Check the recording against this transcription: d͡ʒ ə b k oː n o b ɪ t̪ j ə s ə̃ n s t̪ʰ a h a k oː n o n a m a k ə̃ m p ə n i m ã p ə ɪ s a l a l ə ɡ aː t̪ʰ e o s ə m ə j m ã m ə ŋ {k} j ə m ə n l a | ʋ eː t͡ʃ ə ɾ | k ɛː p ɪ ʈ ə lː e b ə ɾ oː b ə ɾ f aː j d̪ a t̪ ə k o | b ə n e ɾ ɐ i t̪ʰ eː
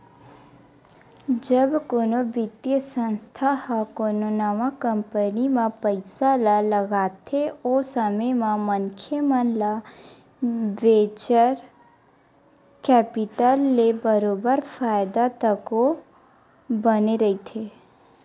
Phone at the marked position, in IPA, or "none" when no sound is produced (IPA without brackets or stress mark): kʰ